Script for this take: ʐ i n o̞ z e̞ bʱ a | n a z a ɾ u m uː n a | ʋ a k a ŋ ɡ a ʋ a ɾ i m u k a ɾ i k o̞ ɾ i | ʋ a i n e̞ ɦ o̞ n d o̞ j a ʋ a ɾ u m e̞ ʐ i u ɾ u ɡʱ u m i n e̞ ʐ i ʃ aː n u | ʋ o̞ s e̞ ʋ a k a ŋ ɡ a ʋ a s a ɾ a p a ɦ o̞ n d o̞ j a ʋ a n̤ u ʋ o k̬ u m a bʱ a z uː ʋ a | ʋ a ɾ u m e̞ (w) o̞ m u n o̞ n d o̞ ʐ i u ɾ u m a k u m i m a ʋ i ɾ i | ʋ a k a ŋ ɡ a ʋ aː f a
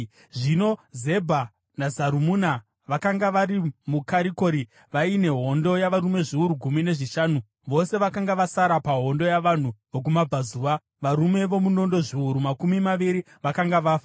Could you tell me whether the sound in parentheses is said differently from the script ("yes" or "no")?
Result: yes